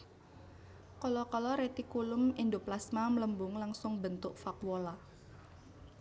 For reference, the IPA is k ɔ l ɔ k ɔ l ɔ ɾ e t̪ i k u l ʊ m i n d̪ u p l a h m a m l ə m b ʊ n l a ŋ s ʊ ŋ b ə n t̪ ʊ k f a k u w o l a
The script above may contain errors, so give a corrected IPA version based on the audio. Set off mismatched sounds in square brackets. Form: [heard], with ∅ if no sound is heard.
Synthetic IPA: k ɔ l ɔ k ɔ l ɔ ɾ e t̪ i k u l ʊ m i n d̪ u p l a [s] m a m l ə m b ʊ [ŋ] l a ŋ s ʊ ŋ b ə n t̪ ʊ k f a k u w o l a